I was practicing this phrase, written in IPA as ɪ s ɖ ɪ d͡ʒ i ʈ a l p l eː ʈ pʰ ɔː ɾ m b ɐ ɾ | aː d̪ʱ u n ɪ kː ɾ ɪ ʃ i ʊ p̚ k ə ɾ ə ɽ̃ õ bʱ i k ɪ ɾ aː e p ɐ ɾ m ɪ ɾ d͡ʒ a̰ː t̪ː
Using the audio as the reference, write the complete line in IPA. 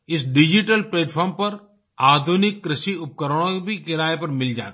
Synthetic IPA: ɪ s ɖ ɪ d͡ʒ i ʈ ə l p l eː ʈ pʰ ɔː ɾ m p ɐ ɾ | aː d̪ʱ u n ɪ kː ɾ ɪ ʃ i ʊ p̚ k ə ɾ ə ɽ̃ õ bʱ i k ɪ ɾ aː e p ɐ ɾ m ɪ l d͡ʒ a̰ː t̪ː

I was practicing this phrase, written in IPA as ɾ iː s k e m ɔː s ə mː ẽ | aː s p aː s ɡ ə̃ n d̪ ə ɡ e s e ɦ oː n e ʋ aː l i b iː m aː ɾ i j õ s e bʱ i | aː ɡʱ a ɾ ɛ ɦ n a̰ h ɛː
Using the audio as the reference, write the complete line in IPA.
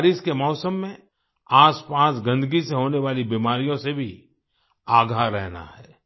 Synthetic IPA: ɾ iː s k e m ɔː s ə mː ẽ | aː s p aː s ɡ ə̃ n d̪ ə ɡ i s e ɦ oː n e ʋ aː l i b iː m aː ɾ i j õ s e bʱ i | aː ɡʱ a ɾ ɛ ɦ n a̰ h ɛː

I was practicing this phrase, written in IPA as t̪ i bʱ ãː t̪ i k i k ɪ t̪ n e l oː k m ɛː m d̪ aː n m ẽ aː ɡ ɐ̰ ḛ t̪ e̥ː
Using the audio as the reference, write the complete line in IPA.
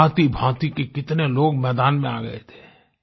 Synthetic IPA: t̪ i bʱ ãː t̪ i k e k ɪ t̪ n e l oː ɡ m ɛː d̪ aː n m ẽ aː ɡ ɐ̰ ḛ t̪ʰ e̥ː

